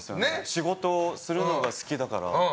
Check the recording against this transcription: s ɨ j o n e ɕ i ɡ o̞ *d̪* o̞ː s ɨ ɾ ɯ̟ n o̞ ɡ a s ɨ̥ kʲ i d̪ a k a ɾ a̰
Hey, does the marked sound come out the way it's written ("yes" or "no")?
no